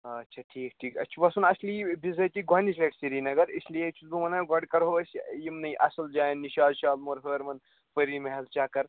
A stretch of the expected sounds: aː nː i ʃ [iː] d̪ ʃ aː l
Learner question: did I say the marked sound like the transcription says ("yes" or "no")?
no